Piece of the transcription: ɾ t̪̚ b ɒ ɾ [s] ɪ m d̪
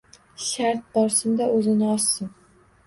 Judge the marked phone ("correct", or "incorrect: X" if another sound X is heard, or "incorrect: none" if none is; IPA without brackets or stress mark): correct